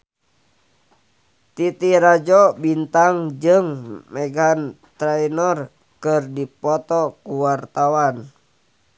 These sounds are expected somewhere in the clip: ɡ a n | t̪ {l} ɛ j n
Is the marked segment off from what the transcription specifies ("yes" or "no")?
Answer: yes